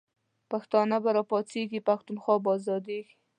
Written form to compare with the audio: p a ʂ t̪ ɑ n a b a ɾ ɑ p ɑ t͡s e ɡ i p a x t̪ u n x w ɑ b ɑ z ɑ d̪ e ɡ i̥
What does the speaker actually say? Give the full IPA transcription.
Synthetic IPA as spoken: p a x t̪ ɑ n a b a ɾ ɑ p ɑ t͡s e ɡ i p a x t̪ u n x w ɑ b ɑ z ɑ d̪ e ɡ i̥